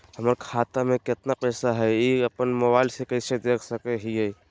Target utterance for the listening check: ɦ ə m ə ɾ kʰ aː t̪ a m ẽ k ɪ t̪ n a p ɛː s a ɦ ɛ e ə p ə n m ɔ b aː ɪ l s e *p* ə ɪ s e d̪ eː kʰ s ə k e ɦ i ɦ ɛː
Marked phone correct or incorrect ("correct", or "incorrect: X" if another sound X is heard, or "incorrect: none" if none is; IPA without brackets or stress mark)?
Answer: incorrect: k